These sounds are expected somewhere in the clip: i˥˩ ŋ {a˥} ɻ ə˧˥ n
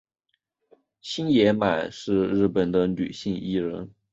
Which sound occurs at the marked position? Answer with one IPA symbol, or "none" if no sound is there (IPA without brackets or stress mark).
i˥